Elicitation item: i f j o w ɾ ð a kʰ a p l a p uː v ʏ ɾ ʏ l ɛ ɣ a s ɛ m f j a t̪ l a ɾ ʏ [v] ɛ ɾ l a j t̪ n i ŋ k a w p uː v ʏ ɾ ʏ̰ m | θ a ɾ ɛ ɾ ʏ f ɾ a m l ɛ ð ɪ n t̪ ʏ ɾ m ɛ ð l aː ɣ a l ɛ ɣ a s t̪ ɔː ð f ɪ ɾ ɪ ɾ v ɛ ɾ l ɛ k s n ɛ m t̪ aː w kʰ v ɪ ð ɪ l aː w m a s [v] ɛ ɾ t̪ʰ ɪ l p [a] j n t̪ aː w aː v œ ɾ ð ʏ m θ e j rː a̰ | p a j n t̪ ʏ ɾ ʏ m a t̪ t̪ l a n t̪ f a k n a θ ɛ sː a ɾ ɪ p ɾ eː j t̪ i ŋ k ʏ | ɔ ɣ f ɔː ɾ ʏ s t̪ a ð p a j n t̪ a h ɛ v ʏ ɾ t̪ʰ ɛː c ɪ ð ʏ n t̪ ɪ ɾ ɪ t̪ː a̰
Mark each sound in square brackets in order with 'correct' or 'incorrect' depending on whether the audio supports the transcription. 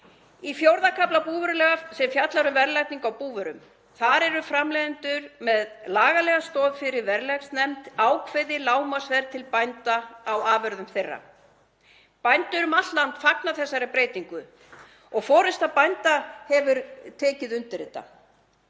correct, correct, correct

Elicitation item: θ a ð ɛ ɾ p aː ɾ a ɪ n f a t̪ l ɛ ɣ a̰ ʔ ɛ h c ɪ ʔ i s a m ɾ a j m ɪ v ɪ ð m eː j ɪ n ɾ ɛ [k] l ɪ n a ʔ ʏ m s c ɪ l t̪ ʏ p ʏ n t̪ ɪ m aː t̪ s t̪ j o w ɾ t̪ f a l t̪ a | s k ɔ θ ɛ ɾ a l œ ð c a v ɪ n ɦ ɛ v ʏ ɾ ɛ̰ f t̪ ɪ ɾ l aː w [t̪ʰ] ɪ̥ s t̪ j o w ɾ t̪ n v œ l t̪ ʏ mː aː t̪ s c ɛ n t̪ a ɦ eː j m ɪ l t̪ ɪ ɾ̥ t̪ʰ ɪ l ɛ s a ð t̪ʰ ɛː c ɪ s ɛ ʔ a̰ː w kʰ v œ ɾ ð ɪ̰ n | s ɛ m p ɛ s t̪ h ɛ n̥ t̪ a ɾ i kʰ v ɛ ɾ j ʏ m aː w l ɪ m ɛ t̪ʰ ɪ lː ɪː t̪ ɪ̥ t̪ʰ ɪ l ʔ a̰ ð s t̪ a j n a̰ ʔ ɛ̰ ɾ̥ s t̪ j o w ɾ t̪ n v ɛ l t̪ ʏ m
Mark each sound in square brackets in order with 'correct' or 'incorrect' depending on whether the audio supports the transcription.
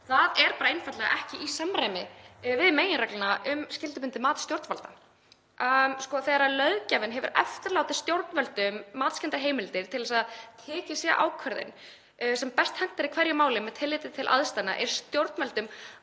correct, incorrect: t̪

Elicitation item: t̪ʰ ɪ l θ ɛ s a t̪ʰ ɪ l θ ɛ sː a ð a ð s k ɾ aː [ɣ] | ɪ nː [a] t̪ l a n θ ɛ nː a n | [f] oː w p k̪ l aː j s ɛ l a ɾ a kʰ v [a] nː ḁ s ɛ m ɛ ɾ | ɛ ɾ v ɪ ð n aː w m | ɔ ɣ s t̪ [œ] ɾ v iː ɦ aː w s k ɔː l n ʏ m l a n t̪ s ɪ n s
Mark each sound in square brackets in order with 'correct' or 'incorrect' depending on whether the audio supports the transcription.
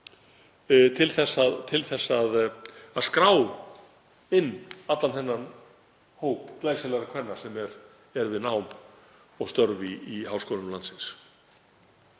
incorrect: w, correct, incorrect: h, incorrect: ɛ, correct

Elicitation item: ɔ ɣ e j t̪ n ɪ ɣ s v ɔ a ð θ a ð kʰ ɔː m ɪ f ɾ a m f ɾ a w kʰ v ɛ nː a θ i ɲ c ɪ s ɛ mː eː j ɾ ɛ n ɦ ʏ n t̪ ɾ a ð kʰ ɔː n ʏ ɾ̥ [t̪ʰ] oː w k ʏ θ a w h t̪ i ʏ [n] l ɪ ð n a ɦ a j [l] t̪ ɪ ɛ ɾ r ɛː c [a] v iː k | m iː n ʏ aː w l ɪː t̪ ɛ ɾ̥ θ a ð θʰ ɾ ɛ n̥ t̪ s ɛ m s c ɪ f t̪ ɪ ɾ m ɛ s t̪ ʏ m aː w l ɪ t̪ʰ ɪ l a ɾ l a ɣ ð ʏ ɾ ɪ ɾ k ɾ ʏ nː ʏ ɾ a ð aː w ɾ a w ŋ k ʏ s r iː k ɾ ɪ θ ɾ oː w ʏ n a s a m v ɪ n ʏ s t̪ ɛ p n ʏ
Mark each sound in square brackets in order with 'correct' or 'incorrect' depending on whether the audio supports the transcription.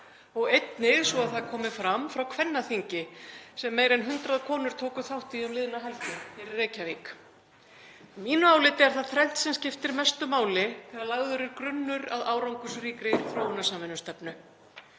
correct, incorrect: m, correct, correct

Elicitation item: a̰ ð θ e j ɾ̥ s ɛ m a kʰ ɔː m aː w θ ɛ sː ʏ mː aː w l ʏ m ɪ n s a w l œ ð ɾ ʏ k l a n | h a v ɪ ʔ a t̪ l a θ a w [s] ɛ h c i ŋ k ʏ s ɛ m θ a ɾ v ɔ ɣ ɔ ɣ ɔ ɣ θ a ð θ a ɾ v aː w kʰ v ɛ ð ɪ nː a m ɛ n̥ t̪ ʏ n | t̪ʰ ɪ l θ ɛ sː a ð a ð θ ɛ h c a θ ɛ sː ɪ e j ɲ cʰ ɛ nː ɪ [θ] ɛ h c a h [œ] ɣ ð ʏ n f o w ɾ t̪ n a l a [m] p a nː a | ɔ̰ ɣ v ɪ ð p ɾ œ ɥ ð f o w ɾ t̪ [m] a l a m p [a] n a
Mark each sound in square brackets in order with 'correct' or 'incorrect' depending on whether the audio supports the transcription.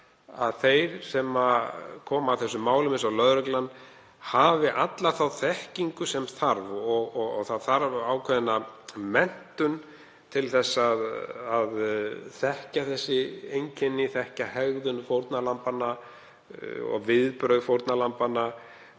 incorrect: θ, correct, incorrect: ɛ, correct, incorrect: n, correct

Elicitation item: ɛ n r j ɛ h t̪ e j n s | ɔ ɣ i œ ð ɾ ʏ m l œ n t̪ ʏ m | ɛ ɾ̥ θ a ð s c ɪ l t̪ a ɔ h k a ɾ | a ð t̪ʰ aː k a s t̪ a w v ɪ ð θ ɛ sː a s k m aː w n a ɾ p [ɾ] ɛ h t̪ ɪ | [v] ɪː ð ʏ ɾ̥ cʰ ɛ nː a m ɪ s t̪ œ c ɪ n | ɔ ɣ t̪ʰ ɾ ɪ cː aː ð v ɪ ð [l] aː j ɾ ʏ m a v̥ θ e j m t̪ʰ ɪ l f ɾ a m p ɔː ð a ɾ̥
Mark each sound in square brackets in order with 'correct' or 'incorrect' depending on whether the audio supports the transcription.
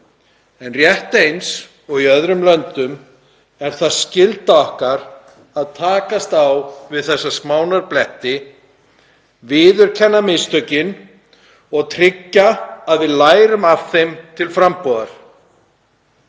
incorrect: l, correct, correct

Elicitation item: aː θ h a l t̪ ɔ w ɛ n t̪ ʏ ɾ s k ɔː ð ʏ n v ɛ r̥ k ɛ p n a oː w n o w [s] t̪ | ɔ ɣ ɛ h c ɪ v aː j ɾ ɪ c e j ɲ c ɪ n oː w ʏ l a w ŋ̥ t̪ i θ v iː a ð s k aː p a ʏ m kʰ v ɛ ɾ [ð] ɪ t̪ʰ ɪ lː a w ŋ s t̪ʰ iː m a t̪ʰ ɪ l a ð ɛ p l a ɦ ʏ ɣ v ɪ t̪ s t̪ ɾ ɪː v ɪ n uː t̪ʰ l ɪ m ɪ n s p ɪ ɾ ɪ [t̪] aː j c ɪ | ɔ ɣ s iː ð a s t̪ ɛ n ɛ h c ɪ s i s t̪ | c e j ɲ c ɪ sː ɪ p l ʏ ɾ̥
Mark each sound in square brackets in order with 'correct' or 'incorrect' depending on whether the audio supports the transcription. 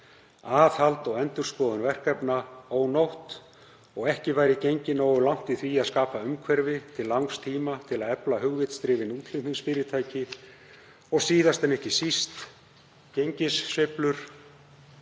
incorrect: h, incorrect: v, incorrect: t̪ʰ

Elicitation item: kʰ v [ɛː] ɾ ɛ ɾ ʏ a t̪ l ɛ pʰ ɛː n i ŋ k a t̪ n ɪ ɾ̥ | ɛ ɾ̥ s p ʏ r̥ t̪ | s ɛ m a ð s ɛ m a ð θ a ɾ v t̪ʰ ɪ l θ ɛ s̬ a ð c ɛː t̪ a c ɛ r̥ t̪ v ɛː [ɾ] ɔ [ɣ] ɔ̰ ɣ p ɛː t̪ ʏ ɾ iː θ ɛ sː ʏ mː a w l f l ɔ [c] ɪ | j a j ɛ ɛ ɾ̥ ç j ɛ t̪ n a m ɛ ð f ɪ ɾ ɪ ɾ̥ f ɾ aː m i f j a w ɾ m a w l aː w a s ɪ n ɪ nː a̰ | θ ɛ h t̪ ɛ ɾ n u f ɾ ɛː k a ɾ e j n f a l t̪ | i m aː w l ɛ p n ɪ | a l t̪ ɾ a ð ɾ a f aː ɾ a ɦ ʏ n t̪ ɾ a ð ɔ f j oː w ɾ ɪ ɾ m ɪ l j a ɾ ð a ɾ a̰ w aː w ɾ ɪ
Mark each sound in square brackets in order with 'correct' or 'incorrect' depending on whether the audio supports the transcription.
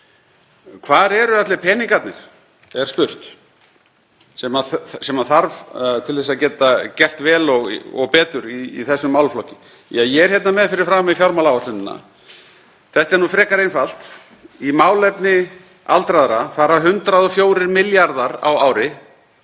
incorrect: aː, incorrect: l, correct, correct

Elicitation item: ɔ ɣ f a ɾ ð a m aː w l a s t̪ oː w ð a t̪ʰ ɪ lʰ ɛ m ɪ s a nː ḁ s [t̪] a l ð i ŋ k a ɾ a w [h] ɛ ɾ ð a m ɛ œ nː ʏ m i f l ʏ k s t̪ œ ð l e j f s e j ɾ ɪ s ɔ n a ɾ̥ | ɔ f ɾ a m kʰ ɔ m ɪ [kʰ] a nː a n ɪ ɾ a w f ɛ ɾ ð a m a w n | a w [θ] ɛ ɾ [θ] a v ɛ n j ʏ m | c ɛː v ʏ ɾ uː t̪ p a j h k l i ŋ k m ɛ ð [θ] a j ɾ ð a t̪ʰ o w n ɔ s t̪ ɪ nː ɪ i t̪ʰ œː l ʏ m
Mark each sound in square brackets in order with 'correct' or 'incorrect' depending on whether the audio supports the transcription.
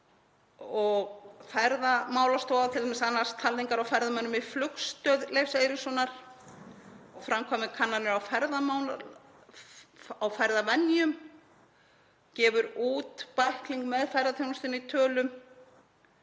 incorrect: t̪ʰ, incorrect: f, correct, incorrect: f, incorrect: ð, incorrect: f

